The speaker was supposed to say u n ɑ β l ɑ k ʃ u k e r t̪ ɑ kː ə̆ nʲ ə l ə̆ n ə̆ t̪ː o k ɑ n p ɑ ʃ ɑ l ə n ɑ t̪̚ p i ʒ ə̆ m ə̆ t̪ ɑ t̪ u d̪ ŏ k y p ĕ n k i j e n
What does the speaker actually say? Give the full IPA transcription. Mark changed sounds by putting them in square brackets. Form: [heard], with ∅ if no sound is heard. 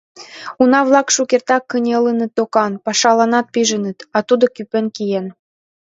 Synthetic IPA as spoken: u n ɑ β l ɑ k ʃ u k e r t̪ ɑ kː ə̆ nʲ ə l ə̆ n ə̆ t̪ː o k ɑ n p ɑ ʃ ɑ l [ɑ] n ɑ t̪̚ p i ʒ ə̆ [n] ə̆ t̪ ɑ t̪ u d̪ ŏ k y p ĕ n k i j e n